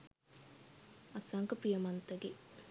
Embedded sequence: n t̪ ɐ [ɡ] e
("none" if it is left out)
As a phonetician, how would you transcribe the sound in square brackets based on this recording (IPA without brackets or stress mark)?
ɡ